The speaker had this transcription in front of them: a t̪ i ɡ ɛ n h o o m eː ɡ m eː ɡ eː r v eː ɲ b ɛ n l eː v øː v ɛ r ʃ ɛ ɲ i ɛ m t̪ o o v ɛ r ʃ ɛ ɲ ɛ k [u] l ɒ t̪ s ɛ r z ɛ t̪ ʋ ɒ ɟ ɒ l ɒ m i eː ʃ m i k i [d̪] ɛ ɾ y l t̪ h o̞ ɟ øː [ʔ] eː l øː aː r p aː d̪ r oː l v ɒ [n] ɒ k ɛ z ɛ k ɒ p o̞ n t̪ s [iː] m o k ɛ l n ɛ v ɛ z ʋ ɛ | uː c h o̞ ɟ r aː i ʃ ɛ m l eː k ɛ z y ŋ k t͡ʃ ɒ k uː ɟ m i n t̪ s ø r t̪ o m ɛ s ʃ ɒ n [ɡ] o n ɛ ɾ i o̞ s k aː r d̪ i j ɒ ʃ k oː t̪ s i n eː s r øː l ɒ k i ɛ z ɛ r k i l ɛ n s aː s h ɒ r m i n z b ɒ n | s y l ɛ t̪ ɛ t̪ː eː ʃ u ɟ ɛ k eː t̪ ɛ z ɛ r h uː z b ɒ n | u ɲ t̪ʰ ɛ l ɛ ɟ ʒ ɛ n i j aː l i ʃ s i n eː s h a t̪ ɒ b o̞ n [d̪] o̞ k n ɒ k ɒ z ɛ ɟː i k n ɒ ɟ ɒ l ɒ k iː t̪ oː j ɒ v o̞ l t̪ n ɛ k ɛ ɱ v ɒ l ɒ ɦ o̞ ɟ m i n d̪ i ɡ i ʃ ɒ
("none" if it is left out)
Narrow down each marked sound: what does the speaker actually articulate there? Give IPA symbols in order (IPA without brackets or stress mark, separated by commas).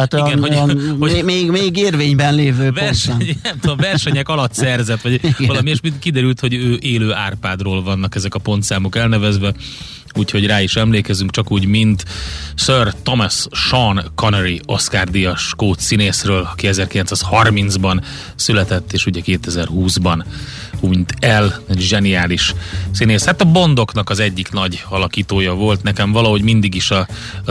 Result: ɒ, d̪, ʔ, nː, aː, k, d̪